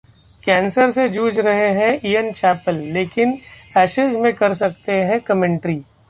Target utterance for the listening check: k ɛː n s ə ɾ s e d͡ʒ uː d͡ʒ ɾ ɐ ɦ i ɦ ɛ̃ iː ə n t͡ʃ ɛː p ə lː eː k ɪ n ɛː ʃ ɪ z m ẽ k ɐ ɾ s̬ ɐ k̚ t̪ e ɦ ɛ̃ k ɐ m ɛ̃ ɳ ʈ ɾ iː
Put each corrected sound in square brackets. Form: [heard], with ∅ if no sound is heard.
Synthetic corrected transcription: k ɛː n s ə ɾ s e d͡ʒ uː d͡ʒ ɾ ɐ ɦ [e] ɦ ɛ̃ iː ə n t͡ʃ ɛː p ə lː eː k ɪ n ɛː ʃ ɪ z m ẽ k ɐ ɾ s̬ ɐ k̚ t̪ e ɦ ɛ̃ k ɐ m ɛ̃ ɳ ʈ ɾ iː